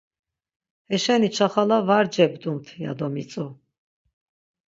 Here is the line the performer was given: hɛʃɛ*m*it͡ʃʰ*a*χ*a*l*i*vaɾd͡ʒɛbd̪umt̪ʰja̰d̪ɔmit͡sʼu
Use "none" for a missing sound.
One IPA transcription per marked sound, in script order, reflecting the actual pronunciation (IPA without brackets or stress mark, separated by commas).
n, a, a, a